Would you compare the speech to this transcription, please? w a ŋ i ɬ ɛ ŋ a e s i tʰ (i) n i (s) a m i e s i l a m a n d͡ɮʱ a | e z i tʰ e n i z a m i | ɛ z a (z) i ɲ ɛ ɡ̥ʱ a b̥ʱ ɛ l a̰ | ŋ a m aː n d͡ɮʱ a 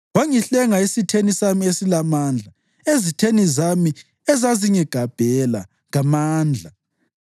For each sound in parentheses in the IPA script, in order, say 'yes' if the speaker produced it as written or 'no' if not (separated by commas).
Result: no, yes, yes